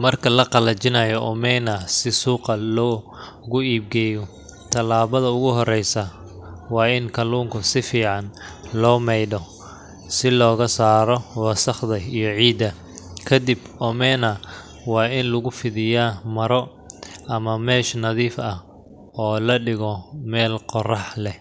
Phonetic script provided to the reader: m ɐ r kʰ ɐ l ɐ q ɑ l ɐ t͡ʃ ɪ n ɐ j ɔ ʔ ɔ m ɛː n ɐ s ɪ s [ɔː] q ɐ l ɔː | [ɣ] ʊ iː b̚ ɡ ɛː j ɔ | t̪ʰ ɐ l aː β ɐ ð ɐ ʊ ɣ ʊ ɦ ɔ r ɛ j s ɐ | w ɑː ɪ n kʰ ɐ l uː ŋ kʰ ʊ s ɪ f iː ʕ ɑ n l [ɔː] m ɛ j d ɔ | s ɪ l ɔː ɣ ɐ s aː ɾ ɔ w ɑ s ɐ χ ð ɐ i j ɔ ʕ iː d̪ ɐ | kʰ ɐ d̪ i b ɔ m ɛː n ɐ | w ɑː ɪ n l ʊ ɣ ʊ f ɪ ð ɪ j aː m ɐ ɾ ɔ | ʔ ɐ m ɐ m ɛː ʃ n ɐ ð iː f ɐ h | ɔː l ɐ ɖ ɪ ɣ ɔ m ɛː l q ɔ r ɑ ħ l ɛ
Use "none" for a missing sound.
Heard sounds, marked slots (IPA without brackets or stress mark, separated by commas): uː, ɣ, ɔː